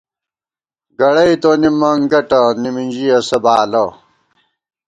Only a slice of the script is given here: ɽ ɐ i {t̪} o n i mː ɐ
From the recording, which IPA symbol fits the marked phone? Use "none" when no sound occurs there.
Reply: t̪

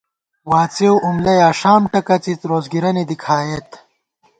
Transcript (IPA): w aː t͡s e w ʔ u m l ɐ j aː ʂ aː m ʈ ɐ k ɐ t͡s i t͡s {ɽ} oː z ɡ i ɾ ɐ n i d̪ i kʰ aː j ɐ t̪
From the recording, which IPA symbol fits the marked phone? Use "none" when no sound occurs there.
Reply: ɾ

